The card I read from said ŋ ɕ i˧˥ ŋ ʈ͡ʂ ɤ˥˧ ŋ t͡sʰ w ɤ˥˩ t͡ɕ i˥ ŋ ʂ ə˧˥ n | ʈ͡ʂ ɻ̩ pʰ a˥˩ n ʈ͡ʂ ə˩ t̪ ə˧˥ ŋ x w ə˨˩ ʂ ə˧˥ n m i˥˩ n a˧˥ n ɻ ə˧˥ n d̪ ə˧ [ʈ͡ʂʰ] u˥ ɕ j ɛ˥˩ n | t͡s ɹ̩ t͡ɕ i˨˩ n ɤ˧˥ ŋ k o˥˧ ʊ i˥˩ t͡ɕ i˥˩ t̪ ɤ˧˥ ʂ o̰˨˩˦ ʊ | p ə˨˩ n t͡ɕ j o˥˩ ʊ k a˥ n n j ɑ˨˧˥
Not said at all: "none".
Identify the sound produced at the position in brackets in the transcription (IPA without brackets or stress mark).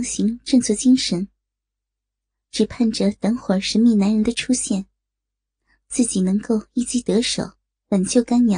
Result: ʈ͡ʂʰ